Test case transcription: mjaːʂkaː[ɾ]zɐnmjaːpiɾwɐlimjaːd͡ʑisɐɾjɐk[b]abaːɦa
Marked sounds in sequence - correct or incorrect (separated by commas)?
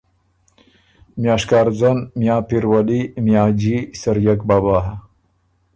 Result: correct, correct